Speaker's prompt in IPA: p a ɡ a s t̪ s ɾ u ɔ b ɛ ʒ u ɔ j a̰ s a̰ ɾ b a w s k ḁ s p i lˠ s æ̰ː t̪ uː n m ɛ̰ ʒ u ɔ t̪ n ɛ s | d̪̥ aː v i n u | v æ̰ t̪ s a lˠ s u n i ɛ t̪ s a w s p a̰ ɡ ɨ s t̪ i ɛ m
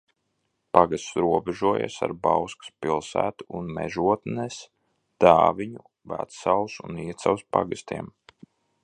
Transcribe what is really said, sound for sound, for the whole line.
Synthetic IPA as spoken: p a ɡ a s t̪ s ɾ u ɔ b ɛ ʒ u ɔ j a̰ s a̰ ɾ b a w s k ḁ s p i lˠ s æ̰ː t̪ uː n m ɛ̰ ʒ u ɔ t̪ n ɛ s | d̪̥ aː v i ɲ u | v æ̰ t̪ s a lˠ s u n i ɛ t̪ s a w s p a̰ ɡ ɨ s t̪ i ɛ m